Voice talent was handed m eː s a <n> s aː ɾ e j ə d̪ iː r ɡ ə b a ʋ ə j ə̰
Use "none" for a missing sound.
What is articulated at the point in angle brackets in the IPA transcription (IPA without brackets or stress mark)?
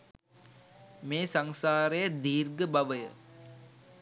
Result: ŋ